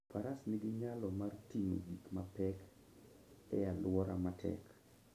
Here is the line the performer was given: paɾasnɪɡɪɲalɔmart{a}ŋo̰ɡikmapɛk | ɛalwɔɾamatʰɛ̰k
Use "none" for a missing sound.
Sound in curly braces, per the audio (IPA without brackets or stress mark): i